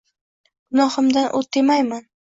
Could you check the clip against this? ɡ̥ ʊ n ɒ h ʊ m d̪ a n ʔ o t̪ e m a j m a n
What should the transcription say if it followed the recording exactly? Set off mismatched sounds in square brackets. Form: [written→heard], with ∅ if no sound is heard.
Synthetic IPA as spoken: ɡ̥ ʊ n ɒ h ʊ m d̪ a n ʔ o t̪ e m a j m a n